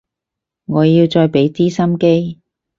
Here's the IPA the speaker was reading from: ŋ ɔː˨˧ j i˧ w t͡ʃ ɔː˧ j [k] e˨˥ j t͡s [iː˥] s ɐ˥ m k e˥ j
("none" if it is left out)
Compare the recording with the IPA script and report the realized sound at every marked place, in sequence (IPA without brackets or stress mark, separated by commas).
p, iː˥